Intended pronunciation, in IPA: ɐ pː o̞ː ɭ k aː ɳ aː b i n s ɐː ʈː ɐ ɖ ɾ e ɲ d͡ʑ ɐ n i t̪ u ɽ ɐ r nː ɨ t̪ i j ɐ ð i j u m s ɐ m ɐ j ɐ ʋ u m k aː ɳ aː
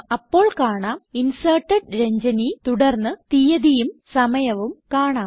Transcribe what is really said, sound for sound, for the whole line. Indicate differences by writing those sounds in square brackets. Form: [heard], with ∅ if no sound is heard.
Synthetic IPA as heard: ɐ pː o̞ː ɭ k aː ɳ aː [m] i n s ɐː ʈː ɐ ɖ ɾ e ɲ d͡ʑ ɐ n i t̪ u ɽ ɐ r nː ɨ t̪ i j ɐ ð i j u m s ɐ m ɐ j ɐ ʋ u m k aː ɳ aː